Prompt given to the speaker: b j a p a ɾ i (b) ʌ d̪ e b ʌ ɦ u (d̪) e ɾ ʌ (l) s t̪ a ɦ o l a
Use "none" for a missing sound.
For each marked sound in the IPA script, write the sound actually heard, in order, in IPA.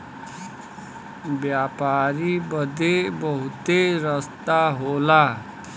b, t̪, none

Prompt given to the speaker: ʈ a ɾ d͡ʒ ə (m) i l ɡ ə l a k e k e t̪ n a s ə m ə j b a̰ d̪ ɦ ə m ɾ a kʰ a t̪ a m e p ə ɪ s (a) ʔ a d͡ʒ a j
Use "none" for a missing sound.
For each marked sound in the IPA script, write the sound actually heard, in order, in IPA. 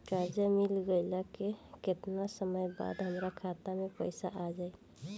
m, a

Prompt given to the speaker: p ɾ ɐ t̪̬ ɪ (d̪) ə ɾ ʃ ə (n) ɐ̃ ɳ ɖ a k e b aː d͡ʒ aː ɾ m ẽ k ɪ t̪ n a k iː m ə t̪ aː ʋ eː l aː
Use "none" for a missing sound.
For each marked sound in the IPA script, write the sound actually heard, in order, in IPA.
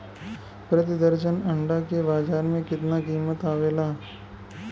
d̪, n

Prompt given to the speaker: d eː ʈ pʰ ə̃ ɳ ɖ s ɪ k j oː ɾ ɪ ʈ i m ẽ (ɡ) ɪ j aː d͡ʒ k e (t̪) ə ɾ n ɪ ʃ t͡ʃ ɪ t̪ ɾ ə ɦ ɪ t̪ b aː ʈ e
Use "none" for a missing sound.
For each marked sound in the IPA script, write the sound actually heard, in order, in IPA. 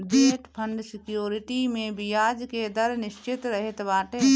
b, d̪

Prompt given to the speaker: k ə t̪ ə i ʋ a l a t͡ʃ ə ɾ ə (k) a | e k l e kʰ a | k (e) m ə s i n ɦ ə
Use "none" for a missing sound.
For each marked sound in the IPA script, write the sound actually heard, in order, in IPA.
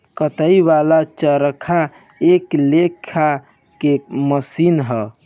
kʰ, e

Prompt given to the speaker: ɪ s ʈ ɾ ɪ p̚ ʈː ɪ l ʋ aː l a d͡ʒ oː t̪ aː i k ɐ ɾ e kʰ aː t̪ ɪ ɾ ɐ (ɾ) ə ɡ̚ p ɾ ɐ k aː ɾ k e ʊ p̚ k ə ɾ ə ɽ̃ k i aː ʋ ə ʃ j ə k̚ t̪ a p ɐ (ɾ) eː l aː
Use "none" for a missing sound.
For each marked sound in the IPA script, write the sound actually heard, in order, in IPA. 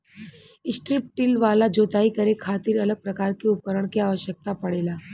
l, ɽ

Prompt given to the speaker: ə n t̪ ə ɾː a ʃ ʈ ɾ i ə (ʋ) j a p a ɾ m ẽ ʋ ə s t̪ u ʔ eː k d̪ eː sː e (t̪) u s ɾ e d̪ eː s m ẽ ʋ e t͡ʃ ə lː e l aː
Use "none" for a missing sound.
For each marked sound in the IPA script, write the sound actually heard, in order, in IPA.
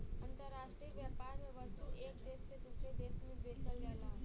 ʋ, d̪

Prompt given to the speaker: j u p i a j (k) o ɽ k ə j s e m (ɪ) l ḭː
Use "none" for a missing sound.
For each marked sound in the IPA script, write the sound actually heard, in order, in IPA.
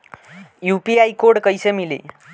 k, i

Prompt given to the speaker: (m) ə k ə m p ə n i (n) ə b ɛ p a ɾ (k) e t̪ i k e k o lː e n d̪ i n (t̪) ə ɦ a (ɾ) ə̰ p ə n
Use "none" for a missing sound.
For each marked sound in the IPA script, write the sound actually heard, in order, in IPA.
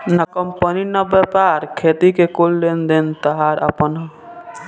n, n, kʰ, t̪, ɾ

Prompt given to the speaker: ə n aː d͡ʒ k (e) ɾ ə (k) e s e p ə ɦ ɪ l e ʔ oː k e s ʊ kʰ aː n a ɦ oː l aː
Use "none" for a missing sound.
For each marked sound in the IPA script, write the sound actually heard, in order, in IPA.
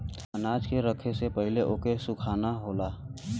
e, kʰ

